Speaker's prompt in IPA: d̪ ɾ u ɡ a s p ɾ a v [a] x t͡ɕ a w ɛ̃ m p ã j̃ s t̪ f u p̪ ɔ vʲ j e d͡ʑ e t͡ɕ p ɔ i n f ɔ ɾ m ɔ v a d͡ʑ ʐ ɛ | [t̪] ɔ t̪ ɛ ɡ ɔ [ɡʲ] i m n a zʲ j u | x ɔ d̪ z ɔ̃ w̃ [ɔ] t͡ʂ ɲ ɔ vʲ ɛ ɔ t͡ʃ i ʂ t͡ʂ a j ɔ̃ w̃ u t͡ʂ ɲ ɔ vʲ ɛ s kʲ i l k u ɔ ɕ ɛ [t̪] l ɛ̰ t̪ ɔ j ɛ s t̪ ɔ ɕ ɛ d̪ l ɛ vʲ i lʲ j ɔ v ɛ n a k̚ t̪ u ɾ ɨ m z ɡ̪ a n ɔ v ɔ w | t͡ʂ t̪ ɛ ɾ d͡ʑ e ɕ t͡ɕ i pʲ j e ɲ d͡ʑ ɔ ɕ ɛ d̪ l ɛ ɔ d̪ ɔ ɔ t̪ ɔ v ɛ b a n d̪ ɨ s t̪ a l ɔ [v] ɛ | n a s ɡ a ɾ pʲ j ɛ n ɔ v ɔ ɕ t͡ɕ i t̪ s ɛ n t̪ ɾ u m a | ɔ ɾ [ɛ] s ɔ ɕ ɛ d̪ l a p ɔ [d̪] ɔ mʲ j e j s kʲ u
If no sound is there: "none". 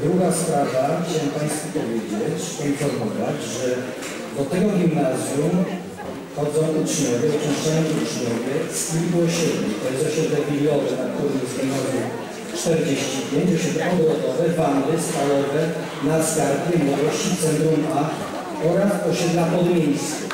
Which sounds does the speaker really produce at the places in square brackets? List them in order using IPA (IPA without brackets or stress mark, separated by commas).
a, d̪, ɡʲ, u, d̪, v, a, d̪